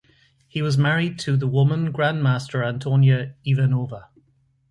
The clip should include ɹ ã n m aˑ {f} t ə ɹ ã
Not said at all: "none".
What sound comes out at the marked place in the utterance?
s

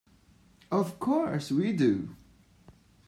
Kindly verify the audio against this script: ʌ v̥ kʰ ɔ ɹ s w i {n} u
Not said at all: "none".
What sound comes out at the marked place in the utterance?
d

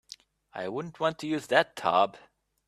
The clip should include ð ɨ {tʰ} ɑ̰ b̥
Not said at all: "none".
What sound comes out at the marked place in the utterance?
tʰ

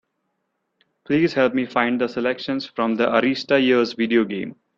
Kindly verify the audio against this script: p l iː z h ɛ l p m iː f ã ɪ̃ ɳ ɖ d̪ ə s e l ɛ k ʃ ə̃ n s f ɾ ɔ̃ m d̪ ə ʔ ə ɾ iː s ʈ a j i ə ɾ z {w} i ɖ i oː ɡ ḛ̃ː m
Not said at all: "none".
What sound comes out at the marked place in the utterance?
ʋ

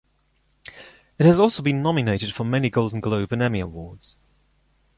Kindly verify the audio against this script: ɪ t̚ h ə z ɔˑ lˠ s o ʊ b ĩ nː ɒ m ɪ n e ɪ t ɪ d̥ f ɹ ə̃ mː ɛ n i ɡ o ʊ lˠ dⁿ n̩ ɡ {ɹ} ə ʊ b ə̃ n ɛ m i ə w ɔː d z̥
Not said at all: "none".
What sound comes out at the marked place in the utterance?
l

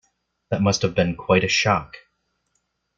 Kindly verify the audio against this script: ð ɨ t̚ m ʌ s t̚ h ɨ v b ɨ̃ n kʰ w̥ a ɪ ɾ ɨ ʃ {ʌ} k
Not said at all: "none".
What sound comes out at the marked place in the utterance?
ɑ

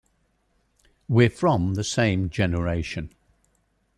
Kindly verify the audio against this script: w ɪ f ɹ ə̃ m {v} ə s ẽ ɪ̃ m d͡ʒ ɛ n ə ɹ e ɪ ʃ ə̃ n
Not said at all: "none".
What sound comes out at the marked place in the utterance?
ð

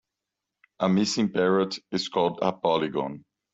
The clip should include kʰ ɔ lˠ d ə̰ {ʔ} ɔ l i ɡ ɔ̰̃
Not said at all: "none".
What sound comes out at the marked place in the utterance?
p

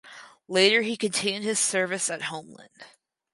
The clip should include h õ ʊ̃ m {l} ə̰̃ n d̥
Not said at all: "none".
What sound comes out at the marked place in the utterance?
l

